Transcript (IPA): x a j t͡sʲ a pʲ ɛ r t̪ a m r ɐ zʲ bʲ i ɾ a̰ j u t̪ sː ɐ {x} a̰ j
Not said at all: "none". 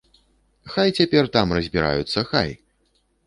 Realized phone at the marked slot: x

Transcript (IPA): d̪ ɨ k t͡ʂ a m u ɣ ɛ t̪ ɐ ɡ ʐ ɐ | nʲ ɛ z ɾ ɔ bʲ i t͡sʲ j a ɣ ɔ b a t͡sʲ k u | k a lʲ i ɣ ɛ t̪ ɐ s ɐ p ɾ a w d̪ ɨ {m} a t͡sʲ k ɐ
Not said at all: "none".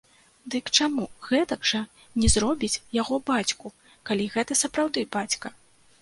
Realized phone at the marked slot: b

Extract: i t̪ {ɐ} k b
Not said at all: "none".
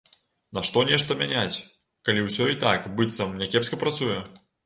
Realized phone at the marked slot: a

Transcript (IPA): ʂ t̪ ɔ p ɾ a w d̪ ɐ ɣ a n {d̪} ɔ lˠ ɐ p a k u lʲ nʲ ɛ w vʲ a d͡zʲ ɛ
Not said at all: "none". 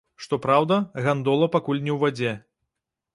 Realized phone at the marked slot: d̪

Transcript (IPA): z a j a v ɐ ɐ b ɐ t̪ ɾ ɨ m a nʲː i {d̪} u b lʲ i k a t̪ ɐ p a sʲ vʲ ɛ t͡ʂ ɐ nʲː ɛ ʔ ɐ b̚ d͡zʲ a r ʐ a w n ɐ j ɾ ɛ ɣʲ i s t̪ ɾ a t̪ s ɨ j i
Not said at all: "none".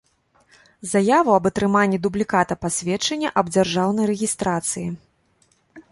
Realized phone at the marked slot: d̪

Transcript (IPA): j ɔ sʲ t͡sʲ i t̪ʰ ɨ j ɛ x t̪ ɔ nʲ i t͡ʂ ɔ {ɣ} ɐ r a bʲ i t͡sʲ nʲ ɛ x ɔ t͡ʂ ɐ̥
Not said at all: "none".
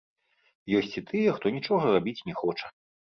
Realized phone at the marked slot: ɣ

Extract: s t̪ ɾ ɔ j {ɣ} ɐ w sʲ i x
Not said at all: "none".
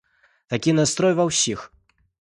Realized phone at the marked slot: v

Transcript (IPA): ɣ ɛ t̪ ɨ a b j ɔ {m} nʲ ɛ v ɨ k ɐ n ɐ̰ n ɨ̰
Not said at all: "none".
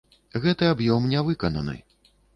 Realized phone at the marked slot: m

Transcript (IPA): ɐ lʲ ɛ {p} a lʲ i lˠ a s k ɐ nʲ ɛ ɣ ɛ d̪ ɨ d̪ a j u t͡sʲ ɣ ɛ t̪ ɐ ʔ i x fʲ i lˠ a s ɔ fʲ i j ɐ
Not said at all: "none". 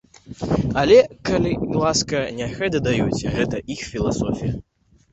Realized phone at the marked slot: k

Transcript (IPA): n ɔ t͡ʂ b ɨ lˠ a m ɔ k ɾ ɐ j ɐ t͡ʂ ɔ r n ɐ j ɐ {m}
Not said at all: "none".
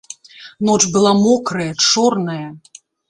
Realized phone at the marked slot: none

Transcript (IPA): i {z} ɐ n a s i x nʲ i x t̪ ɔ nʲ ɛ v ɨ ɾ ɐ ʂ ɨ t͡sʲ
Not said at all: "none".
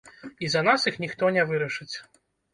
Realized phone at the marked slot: z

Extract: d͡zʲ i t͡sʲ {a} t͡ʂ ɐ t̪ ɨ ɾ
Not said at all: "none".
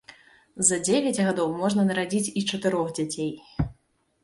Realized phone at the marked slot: i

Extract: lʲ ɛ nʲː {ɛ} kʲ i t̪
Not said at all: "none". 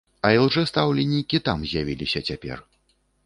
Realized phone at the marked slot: i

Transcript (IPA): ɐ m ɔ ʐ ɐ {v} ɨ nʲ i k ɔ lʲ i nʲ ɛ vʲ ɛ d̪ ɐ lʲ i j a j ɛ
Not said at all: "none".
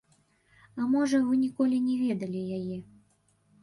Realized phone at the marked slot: v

